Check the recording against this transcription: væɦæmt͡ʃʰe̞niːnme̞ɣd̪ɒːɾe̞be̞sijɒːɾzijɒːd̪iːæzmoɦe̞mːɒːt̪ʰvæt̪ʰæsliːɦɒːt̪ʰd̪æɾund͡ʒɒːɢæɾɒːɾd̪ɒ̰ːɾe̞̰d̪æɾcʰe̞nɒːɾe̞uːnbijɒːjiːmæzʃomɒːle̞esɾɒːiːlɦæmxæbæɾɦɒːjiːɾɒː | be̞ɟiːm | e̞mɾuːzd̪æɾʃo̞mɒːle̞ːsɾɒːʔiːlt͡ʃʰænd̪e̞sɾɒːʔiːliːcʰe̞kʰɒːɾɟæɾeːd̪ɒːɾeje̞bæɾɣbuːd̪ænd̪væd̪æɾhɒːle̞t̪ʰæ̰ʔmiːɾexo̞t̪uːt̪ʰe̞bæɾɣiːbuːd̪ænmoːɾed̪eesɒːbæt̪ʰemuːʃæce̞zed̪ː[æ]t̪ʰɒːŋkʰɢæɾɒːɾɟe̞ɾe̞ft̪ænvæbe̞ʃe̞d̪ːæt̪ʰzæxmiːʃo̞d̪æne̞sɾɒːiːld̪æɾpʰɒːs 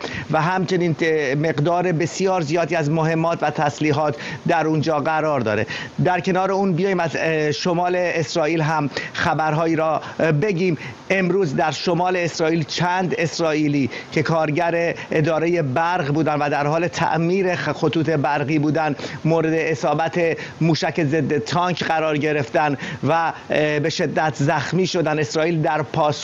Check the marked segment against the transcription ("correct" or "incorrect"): incorrect